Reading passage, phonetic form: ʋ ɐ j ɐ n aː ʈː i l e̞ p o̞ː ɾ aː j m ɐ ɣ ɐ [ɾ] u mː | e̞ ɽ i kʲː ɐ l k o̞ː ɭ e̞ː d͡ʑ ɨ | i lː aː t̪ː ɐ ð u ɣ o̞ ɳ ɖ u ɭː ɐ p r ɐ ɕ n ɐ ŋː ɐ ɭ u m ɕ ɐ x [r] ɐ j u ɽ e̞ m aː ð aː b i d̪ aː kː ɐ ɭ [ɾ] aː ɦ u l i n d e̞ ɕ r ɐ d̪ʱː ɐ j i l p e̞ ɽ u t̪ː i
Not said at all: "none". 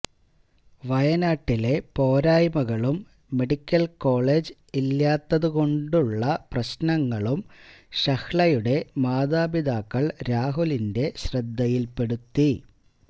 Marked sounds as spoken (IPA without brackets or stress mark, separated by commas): ɭ, ɭ, ɾ